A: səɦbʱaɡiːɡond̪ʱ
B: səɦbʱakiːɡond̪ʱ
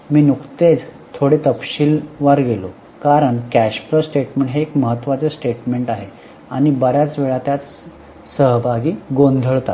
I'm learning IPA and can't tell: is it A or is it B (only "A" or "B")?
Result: A